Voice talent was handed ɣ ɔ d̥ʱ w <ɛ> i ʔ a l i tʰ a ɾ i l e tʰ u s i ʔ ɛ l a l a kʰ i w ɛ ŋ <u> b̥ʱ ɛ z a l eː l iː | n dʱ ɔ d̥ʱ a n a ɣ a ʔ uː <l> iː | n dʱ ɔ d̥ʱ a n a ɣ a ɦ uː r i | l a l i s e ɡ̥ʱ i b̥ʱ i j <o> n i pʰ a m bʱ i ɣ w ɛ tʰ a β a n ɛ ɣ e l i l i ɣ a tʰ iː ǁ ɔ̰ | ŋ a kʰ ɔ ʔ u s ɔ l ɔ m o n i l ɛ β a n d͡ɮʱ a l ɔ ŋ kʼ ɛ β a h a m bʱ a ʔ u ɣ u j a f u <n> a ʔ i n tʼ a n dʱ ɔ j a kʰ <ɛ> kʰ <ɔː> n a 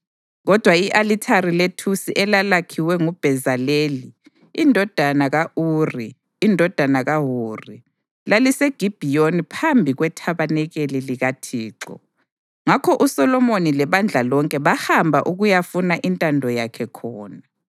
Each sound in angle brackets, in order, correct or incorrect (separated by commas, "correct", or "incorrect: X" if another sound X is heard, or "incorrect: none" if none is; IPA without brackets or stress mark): incorrect: a, correct, incorrect: r, correct, correct, correct, correct